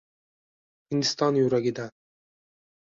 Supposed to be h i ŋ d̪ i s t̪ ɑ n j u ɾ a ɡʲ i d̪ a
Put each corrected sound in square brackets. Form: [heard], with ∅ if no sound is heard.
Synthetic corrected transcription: h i [n] d̪ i s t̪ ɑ n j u ɾ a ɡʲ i d̪ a